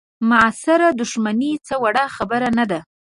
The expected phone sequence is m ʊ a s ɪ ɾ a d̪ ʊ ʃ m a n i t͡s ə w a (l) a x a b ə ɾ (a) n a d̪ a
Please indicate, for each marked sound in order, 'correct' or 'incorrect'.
incorrect: ɽ, correct

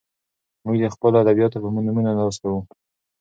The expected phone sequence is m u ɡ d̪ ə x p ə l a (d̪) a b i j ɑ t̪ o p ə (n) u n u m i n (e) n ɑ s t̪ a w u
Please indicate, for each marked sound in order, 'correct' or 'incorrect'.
correct, incorrect: m, incorrect: a

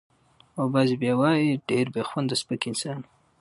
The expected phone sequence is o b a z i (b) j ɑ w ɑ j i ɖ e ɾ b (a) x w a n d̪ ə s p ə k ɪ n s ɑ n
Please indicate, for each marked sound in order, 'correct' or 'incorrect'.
correct, incorrect: e

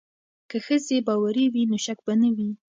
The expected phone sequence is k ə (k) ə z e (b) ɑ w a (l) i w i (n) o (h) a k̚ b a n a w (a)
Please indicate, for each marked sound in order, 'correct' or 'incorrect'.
incorrect: x, correct, incorrect: ɾ, correct, incorrect: ʃ, incorrect: i

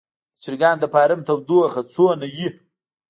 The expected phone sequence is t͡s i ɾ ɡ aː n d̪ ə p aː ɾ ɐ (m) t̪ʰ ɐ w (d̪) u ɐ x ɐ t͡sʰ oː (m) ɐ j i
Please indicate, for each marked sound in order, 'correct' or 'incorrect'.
correct, correct, incorrect: n

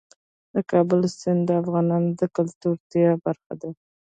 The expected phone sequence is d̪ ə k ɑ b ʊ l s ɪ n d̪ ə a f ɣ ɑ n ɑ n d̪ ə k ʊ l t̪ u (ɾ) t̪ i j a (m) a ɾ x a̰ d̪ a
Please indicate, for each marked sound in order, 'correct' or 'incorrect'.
correct, incorrect: b

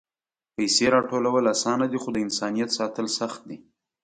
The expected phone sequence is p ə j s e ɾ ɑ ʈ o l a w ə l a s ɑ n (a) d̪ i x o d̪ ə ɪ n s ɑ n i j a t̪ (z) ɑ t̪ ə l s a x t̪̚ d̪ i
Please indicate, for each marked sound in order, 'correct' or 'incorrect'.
correct, incorrect: s

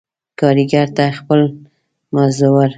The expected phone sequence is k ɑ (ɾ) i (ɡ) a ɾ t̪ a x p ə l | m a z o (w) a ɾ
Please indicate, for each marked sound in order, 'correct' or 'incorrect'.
correct, correct, correct

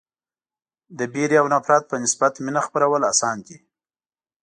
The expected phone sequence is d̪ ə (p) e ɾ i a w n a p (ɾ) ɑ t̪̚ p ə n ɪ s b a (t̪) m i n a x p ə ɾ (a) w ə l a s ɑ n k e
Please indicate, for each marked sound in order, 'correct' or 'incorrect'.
incorrect: b, correct, correct, correct

